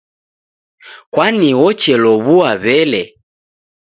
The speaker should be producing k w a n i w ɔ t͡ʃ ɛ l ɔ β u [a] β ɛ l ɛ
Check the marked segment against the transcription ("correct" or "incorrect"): correct